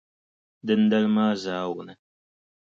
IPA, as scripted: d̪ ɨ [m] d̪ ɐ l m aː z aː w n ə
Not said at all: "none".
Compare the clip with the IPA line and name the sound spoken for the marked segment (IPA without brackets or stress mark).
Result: n